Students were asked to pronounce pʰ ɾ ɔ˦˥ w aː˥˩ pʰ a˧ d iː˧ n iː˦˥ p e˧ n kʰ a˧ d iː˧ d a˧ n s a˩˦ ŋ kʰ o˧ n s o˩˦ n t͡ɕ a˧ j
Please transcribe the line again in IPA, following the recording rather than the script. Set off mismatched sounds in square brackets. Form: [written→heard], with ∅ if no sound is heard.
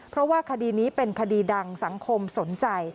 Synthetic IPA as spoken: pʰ ɾ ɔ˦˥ w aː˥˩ [pʰ→kʰ] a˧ d iː˧ n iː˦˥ p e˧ n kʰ a˧ d iː˧ d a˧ [n→ŋ] s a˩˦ ŋ kʰ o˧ [n→m] s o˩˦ n t͡ɕ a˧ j

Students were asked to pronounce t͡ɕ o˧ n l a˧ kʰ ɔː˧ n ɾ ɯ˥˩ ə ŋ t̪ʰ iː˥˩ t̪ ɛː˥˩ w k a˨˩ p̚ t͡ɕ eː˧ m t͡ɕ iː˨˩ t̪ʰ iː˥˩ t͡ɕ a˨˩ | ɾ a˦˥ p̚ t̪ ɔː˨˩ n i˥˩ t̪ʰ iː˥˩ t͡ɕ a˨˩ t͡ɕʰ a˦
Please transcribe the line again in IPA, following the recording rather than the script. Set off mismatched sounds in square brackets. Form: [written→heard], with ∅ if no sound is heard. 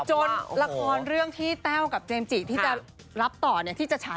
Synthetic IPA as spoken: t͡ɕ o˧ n l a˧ kʰ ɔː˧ n ɾ ɯ˥˩ ə ŋ t̪ʰ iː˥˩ t̪ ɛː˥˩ w k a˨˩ p̚ t͡ɕ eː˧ m t͡ɕ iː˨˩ t̪ʰ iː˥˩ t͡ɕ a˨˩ | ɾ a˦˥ p̚ t̪ ɔː˨˩ n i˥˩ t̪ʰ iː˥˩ t͡ɕ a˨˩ t͡ɕʰ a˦

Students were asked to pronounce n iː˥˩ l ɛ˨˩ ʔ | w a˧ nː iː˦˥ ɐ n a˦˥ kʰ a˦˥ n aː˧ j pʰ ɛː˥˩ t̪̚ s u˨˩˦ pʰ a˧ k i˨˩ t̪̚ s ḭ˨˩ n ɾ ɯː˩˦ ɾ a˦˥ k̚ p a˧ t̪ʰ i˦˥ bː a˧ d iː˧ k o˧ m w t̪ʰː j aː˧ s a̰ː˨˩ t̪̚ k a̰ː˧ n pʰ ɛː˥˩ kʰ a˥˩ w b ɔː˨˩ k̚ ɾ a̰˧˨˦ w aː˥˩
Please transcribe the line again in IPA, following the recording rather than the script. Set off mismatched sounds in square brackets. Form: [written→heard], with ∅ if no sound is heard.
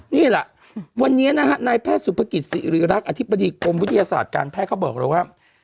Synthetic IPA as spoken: n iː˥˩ l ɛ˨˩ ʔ | w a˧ nː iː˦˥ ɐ n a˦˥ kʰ a˦˥ n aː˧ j pʰ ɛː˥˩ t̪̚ s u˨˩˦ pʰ a˧ k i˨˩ t̪̚ s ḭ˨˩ [n→∅] ɾ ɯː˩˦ ɾ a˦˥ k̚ [p→ʔ] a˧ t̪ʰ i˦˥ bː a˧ d iː˧ k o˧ m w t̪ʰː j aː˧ s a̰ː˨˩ t̪̚ k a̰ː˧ n pʰ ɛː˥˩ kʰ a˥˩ w b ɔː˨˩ k̚ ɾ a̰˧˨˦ w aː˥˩

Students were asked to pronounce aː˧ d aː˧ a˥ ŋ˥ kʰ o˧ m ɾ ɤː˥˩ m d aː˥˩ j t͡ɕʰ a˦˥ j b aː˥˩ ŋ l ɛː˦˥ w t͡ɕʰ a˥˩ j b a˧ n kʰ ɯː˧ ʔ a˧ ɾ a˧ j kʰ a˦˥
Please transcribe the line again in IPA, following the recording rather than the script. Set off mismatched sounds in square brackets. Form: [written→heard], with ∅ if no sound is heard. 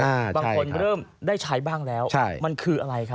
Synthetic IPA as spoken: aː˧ [d→b] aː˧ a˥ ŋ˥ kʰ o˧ [m→n] ɾ ɤː˥˩ m d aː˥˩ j t͡ɕʰ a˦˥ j b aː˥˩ ŋ l ɛː˦˥ w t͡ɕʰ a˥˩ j [b→m] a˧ n kʰ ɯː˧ ʔ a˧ ɾ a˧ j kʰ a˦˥

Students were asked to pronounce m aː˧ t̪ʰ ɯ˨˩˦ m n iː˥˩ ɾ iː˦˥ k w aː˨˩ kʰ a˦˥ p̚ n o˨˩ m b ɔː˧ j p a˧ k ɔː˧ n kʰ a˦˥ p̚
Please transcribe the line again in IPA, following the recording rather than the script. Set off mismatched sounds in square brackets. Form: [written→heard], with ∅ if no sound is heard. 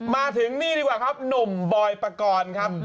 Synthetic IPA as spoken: m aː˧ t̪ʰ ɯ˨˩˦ [m→ŋ] n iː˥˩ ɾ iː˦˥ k w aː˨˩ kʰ a˦˥ p̚ n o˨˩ m b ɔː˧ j p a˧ k ɔː˧ n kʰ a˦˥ p̚

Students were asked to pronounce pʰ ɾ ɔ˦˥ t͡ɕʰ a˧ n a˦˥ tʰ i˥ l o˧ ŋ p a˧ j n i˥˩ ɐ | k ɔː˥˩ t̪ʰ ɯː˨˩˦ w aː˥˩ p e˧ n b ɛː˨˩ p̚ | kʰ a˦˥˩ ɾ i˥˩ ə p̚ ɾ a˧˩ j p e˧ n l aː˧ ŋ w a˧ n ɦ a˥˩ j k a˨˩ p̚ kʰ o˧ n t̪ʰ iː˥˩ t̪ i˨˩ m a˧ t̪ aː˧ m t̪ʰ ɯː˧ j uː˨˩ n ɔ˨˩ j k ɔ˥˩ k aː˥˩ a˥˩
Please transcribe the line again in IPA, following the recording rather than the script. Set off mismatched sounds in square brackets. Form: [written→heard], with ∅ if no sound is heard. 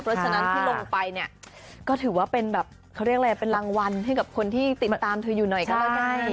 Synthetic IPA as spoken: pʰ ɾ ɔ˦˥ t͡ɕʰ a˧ n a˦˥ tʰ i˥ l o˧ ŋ p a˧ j n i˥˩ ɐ | k ɔː˥˩ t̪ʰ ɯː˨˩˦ w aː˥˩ p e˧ n b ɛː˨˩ p̚ | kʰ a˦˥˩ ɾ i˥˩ ə [p̚→k̚] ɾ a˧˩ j p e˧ n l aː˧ ŋ w a˧ n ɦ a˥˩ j k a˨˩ p̚ kʰ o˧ n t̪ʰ iː˥˩ t̪ i˨˩ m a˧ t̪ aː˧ m t̪ʰ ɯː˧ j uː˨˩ n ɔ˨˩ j k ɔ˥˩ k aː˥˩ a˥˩

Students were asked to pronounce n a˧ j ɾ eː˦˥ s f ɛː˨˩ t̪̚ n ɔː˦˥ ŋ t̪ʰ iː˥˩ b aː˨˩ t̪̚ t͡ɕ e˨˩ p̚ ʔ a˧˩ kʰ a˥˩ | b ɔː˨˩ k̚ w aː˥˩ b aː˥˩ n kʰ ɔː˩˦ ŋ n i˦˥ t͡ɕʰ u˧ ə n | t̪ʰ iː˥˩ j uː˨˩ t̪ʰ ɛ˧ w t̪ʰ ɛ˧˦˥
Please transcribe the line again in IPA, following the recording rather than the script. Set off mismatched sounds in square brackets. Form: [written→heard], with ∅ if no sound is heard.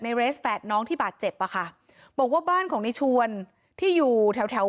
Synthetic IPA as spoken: n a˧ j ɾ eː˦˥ s f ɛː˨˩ t̪̚ n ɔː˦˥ ŋ t̪ʰ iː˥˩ b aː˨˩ t̪̚ t͡ɕ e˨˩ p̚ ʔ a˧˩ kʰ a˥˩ | b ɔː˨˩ k̚ w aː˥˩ b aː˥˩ n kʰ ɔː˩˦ ŋ n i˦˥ t͡ɕʰ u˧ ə n | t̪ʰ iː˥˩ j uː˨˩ t̪ʰ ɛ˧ w t̪ʰ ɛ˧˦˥

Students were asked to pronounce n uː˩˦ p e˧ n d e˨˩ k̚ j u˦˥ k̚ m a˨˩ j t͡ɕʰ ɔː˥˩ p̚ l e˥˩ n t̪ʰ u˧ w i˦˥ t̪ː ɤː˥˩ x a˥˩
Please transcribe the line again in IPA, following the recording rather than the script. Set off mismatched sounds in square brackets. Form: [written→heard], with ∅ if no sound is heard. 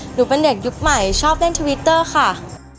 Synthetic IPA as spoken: n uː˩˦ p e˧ n d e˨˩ k̚ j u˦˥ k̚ m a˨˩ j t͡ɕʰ ɔː˥˩ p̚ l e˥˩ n t̪ʰ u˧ w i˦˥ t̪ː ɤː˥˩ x a˥˩

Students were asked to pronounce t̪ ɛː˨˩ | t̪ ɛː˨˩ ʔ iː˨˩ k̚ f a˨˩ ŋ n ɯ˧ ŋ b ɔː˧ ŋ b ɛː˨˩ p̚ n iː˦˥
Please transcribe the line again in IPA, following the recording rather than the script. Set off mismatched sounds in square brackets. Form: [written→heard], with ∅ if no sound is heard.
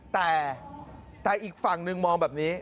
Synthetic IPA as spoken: t̪ ɛː˨˩ | t̪ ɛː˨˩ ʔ iː˨˩ k̚ f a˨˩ ŋ n ɯ˧ ŋ [b→m] ɔː˧ ŋ b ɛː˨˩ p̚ n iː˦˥

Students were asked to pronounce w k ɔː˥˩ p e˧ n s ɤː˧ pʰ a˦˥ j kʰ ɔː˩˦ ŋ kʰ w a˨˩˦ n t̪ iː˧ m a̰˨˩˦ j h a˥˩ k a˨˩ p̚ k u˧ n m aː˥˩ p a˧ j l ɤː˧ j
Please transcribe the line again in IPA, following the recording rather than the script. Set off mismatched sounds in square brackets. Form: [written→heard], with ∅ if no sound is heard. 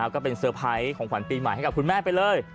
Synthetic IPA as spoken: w k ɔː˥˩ p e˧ n s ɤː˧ pʰ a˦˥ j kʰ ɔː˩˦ ŋ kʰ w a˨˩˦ n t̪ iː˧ m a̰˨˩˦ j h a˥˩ k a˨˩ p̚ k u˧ n m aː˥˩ p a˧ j l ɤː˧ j

